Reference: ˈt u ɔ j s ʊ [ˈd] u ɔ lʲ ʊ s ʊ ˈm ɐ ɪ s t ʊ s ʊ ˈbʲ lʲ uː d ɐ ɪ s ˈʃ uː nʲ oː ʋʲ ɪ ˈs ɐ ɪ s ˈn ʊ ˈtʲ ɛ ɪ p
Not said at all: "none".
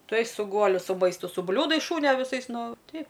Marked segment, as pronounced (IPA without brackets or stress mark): ɡ